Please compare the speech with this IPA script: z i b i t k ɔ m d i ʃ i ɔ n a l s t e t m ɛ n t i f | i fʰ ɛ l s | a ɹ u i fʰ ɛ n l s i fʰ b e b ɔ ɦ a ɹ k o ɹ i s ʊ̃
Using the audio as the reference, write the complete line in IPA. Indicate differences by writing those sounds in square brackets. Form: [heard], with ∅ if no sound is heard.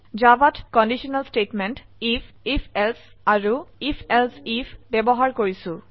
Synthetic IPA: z [a] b [a] t k ɔ [n] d i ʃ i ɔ n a l s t e t m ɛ n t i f | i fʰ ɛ l s | a ɹ u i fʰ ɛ [∅] l s i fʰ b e b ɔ ɦ a ɹ k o ɹ i s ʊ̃